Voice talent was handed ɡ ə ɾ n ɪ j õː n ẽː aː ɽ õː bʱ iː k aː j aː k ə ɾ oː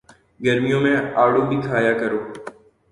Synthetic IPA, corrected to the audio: ɡ ə ɾ m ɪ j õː m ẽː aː ɽ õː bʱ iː kʰ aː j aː k ə ɾ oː